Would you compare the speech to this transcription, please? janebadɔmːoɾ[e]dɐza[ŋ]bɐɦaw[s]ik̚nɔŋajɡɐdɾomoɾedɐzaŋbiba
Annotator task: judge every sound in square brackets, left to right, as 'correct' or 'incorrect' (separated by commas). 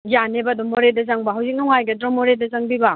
correct, correct, incorrect